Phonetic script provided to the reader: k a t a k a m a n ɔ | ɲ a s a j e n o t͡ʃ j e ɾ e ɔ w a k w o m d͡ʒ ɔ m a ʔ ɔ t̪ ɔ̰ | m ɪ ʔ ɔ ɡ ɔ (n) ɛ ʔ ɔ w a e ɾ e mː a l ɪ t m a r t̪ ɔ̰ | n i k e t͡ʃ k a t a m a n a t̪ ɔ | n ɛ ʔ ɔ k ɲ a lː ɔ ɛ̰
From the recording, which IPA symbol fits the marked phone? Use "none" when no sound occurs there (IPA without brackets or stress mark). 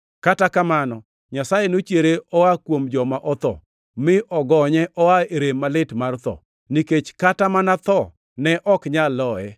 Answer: ɲ